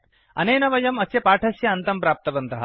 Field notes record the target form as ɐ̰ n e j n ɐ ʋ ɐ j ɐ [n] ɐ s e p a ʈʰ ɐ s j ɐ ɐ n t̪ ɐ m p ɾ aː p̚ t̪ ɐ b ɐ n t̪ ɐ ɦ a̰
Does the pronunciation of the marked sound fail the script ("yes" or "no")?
yes